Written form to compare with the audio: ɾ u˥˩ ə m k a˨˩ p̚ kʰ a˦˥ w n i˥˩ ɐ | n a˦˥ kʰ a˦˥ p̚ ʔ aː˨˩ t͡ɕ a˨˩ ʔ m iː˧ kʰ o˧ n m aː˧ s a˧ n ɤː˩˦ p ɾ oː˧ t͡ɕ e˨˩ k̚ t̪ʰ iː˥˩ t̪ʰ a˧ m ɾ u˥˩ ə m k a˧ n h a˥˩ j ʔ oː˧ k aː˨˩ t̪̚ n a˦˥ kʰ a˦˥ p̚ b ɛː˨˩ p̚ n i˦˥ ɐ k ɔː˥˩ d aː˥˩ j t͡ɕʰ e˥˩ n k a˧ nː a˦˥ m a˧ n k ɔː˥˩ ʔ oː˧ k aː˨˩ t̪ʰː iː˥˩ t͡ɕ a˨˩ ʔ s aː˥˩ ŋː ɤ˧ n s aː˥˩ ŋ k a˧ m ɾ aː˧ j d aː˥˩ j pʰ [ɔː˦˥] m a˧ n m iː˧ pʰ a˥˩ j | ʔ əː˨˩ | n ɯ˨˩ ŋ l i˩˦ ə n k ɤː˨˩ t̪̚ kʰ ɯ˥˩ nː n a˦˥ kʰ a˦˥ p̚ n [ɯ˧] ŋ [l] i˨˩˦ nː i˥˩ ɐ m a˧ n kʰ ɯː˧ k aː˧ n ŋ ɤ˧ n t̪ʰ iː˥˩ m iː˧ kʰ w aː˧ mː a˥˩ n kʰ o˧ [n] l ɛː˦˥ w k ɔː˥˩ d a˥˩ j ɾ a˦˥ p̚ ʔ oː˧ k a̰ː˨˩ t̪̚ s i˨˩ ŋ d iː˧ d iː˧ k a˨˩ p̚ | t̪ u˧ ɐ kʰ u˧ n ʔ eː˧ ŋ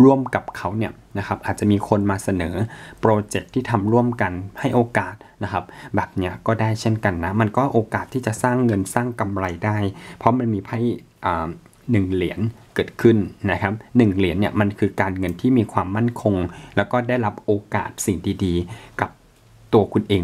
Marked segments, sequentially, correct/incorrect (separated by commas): incorrect, incorrect, correct, incorrect